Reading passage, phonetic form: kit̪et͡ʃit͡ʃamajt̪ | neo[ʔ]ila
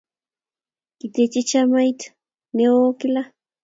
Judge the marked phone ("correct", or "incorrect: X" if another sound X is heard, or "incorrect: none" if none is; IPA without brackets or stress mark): incorrect: k